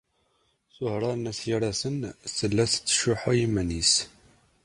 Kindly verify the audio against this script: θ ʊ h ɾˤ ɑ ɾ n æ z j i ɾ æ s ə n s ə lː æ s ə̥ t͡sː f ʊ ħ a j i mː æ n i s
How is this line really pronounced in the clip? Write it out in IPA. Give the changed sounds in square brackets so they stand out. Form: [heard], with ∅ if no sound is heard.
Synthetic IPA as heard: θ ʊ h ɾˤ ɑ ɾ n æ [s] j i ɾ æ s ə n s ə lː æ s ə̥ t͡sː [ʃ] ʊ ħ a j i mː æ n i s

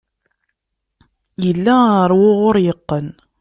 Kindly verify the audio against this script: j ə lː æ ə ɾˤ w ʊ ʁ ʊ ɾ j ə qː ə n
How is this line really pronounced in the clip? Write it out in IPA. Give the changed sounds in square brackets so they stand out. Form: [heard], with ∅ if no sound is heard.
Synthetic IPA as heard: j ə lː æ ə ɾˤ w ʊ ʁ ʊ ɾ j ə qː ə n

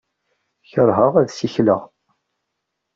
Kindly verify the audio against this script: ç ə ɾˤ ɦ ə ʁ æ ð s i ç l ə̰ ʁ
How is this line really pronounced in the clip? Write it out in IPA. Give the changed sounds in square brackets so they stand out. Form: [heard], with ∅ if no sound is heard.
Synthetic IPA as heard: ç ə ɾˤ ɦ ə ʁ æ ð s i ç l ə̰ ʁ

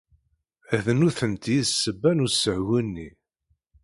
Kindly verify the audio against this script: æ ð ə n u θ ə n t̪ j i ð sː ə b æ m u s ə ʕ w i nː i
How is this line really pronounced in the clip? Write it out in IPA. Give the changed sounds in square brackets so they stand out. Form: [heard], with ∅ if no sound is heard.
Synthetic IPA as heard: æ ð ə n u θ ə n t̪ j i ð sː ə b æ [n] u s ə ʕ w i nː i

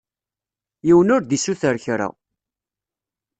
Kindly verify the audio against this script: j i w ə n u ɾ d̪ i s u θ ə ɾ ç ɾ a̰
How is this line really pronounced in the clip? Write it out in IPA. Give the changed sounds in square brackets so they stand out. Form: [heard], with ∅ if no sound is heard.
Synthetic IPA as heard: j i w ə n [ʊ] ɾ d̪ i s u θ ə ɾ ç ɾ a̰

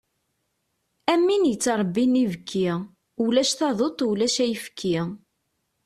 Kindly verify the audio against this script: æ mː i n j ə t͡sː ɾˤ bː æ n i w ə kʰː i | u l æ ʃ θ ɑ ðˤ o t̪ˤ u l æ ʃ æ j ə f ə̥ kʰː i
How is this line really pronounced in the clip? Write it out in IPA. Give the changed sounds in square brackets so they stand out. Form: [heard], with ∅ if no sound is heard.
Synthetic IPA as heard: æ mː i n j ə t͡sː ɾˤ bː [i] n i [v] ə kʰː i | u l æ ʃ θ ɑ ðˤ o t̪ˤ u l æ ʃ æ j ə f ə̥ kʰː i

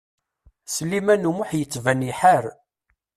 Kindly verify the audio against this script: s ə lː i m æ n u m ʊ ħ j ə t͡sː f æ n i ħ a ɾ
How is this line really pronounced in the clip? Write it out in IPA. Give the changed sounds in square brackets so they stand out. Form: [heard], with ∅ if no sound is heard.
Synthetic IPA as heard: s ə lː i m æ n u m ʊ ħ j ə t͡sː [v] æ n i ħ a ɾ

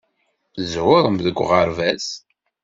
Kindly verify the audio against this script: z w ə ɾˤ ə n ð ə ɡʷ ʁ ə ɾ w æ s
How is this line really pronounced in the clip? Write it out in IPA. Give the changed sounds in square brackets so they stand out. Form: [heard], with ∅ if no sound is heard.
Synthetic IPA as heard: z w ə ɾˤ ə [m] ð ə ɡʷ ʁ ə ɾ [v] æ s

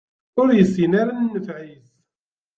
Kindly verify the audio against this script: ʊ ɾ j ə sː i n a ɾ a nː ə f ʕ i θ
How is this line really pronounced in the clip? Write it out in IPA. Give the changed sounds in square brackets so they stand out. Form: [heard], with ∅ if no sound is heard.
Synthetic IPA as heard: ʊ ɾ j ə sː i n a ɾ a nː ə f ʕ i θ

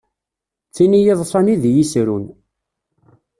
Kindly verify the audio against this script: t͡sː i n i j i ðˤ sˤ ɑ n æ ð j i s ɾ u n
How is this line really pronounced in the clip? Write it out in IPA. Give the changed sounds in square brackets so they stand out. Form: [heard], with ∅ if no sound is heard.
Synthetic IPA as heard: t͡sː i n i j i ðˤ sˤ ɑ n [i] ð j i s ɾ u n

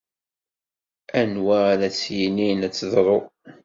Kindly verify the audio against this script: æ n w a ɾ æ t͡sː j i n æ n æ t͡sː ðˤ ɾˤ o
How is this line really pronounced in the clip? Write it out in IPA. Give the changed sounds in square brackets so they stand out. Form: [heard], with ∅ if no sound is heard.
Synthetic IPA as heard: æ n w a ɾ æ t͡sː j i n [i] n æ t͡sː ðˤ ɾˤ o

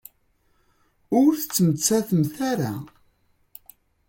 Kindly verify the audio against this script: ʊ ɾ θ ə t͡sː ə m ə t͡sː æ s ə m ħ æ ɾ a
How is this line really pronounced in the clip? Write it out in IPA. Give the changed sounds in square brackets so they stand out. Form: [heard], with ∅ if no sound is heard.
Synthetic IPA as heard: ʊ ɾ θ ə t͡sː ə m ə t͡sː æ [θ] ə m [θ] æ ɾ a

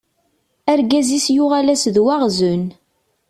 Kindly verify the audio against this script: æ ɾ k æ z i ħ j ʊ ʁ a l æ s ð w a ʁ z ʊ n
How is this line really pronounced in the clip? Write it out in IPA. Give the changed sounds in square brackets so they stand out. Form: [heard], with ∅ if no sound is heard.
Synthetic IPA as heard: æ ɾ [ɡ] æ z i [s] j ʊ ʁ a l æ s ð w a ʁ z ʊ n

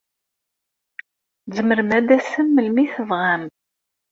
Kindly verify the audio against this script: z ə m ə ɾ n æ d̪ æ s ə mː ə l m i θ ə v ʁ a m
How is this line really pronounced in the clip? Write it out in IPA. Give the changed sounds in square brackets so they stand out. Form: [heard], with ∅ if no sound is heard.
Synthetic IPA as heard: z ə m ə ɾ [m] æ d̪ æ s ə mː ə l m i θ ə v ʁ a m

